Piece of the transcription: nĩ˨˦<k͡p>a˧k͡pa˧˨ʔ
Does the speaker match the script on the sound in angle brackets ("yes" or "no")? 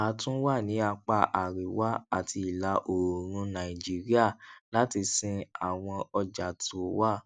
no